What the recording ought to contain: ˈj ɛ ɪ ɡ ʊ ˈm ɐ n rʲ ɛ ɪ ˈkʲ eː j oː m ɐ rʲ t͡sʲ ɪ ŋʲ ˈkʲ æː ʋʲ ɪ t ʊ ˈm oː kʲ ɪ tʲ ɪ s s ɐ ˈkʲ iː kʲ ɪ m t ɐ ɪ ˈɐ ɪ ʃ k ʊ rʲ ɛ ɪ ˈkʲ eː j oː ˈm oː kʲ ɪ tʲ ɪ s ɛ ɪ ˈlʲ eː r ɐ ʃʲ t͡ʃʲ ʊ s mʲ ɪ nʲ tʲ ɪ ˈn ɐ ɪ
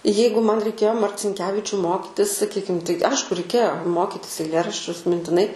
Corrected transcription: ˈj ɛ ɪ ɡ ʊ ˈm ɐ n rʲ ɛ ɪ ˈkʲ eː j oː m ɐ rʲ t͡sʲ ɪ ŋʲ ˈkʲ æː ʋʲ ɪ t͡ʃʲ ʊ ˈm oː kʲ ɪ tʲ ɪ s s ɐ ˈkʲ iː kʲ ɪ m t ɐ ɪ ˈɐ ɪ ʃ k ʊ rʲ ɛ ɪ ˈkʲ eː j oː ˈm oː kʲ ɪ tʲ ɪ s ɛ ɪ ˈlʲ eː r ɐ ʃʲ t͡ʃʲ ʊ s mʲ ɪ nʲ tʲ ɪ ˈn ɐ ɪ